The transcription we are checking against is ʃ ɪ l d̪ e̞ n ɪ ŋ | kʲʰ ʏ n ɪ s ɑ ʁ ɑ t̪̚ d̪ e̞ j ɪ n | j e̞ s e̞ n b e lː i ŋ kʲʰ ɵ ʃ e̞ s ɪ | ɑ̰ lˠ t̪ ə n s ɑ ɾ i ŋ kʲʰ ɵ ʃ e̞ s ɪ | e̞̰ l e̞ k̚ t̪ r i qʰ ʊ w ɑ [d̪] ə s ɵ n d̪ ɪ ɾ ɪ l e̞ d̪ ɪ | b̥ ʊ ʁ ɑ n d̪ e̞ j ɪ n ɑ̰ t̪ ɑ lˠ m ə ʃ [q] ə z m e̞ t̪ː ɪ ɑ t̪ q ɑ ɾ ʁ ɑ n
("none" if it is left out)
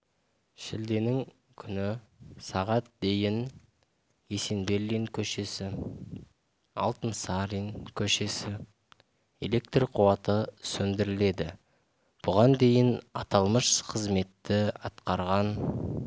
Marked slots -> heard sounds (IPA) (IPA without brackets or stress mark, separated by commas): t̪, qʰ